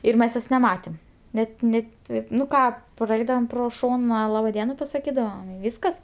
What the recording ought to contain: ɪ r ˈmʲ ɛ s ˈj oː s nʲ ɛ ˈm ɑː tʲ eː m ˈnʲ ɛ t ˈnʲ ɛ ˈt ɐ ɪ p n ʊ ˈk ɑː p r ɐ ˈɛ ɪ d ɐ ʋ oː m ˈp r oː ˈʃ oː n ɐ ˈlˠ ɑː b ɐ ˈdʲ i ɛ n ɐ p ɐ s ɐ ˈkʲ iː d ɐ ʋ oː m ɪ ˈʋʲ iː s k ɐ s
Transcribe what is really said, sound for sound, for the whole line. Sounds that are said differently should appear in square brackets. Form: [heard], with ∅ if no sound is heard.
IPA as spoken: ɪ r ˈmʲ ɛ s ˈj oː s nʲ ɛ ˈm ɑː tʲ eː m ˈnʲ ɛ t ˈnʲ ɛ ˈt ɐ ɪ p n ʊ ˈk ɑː p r ɐ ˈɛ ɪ d ɐ ʋ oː m ˈp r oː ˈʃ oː n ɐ ˈlˠ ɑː b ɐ ˈdʲ i ɛ n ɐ p ɐ s ɐ ˈkʲ iː d ɐ ʋ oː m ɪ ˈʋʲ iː s k ɐ s

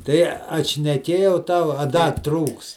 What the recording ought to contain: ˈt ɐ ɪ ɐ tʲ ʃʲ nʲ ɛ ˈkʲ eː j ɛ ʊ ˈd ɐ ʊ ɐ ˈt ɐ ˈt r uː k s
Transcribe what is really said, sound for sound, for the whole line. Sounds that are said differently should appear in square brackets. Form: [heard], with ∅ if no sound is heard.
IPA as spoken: ˈt ɐ ɪ ɐ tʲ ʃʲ nʲ ɛ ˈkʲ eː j ɛ ʊ [ˈt] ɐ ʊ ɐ [ˈd] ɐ ˈt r uː k s

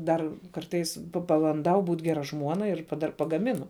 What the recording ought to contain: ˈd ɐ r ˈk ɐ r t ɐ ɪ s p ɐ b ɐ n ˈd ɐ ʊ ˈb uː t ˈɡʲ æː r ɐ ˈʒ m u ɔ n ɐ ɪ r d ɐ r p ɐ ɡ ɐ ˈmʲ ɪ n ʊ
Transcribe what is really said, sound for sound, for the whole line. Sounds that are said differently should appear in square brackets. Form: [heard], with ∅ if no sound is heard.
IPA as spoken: ˈd ɐ r ˈk ɐ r t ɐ ɪ s p ɐ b ɐ n ˈd ɐ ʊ ˈb uː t ˈɡʲ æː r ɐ ˈʒ m u ɔ n ɐ ɪ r d ɐ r p ɐ ɡ ɐ ˈmʲ ɪ n ʊ

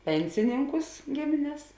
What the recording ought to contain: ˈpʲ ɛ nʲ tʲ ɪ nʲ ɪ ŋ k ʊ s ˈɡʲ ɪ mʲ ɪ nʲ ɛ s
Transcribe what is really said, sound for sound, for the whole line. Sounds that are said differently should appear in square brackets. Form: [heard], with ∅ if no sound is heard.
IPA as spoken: ˈpʲ ɛ nʲ [sʲ] ɪ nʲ ɪ ŋ k ʊ s ˈɡʲ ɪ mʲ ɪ nʲ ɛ s

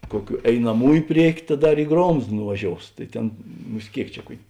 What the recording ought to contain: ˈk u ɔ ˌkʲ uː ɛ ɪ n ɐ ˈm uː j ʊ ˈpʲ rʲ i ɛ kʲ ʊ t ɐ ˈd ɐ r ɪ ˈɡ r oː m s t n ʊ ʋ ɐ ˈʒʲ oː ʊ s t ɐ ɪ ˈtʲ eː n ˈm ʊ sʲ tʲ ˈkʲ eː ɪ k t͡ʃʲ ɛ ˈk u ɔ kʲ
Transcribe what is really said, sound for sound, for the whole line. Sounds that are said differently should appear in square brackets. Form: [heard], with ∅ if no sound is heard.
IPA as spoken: ˈk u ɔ ˌkʲ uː ɛ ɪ n ɐ ˈm uː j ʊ ˈpʲ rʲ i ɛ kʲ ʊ t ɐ ˈd ɐ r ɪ ˈɡ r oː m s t n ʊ ʋ ɐ ˈʒʲ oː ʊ s t ɐ ɪ ˈtʲ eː n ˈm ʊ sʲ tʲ ˈkʲ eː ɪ k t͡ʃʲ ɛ ˈk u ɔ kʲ

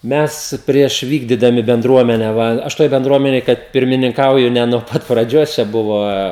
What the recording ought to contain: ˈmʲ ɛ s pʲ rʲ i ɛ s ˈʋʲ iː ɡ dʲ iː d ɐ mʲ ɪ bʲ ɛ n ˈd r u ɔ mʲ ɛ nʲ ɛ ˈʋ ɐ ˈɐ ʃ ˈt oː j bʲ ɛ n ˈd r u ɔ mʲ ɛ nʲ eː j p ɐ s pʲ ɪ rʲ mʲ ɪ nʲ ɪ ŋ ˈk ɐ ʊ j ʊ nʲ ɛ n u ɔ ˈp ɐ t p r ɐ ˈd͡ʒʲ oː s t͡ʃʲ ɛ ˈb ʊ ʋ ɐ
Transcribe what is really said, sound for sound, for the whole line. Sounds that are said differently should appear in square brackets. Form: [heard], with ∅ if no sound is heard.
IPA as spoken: ˈmʲ ɛ s pʲ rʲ i ɛ [ʃ] ˈʋʲ iː ɡ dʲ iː d ɐ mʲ ɪ bʲ ɛ n ˈd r u ɔ mʲ ɛ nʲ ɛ ˈʋ ɐ ˈɐ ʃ ˈt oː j bʲ ɛ n ˈd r u ɔ mʲ ɛ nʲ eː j [k] ɐ [t] pʲ ɪ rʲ mʲ ɪ nʲ ɪ ŋ ˈk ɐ ʊ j ʊ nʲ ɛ n u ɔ ˈp ɐ t p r ɐ ˈd͡ʒʲ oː s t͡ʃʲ ɛ ˈb ʊ ʋ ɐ

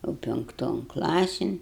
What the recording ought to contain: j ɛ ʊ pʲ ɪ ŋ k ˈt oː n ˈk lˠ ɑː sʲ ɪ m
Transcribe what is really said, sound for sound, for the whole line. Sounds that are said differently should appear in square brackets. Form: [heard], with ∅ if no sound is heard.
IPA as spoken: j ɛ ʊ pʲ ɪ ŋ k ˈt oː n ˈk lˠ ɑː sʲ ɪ [n]

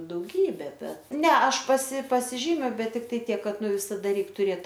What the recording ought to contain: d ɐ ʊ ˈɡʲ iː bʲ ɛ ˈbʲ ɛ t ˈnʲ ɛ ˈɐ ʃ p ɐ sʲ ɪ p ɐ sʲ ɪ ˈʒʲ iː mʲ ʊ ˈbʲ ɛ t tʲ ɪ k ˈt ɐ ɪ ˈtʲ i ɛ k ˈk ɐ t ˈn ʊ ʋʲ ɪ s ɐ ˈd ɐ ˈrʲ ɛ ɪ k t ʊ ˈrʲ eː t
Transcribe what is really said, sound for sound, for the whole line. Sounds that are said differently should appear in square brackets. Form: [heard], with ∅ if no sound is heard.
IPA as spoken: d ɐ ʊ ˈɡʲ iː bʲ ɛ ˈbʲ ɛ t ˈnʲ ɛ ˈɐ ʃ p ɐ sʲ ɪ p ɐ sʲ ɪ ˈʒʲ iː mʲ ʊ ˈbʲ ɛ t tʲ ɪ k ˈt ɐ ɪ ˈtʲ i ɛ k ˈk ɐ t ˈn ʊ ʋʲ ɪ s ɐ ˈd ɐ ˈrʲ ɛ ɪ k t ʊ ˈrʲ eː t

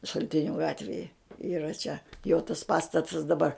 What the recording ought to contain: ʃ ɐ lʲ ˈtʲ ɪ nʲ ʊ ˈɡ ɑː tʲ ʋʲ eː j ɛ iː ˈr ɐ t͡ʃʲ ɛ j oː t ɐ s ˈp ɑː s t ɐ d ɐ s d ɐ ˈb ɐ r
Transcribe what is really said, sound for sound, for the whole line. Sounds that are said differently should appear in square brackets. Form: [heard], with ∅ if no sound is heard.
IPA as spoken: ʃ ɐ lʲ ˈtʲ ɪ nʲ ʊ ˈɡ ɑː tʲ ʋʲ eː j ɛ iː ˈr ɐ t͡ʃʲ ɛ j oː t ɐ s ˈp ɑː s t ɐ [t] ɐ s d ɐ ˈb ɐ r

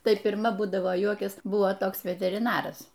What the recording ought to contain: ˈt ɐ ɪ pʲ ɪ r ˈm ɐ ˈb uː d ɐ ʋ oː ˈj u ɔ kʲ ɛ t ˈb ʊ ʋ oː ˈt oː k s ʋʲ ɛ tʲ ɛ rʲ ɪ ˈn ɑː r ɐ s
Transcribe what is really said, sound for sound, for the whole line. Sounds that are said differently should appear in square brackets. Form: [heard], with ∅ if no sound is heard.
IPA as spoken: ˈt ɐ ɪ pʲ ɪ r ˈm ɐ ˈb uː d ɐ ʋ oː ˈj u ɔ kʲ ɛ [s] ˈb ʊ ʋ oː ˈt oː k s ʋʲ ɛ tʲ ɛ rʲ ɪ ˈn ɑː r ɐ s

